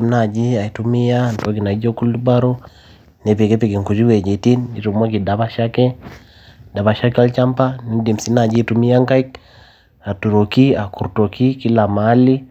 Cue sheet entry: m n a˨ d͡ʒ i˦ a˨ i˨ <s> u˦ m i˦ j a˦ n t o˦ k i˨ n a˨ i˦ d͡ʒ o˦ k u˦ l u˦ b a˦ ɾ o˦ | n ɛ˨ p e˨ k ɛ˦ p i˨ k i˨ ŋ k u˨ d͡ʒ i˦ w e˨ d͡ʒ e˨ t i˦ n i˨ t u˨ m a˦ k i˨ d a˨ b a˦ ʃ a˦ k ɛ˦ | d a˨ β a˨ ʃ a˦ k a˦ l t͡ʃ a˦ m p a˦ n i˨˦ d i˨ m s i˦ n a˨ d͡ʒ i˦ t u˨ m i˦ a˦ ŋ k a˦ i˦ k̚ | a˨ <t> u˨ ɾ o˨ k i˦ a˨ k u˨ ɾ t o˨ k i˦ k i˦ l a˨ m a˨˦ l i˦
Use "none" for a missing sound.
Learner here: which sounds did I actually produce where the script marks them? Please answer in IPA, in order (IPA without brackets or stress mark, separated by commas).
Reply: t, t